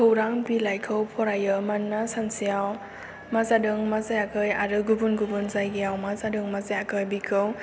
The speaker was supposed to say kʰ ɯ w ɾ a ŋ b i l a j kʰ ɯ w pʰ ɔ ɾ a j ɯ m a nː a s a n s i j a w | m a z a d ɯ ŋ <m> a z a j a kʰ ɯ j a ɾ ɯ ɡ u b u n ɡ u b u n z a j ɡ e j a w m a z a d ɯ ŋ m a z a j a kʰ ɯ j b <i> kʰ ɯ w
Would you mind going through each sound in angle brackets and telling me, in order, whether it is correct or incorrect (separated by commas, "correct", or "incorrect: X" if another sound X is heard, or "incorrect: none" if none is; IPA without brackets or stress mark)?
correct, correct